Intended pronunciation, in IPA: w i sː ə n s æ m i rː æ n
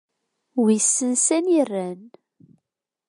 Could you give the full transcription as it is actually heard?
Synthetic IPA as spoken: w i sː ə n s æ n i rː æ n